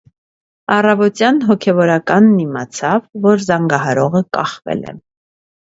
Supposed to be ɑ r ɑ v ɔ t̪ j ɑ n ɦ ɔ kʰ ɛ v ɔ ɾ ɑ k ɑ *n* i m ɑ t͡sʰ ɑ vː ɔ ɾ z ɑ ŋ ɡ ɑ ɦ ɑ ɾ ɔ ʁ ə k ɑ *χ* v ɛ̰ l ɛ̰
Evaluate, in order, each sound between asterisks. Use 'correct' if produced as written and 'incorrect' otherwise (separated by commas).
incorrect, correct